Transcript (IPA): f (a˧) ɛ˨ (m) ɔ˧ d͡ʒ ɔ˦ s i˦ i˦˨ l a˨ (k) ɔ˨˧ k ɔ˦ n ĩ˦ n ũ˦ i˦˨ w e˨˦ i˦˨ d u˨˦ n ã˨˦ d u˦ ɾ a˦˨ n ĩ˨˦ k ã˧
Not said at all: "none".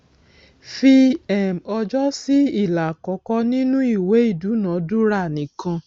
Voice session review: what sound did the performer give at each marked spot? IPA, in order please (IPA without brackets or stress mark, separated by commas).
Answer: i˧, m, k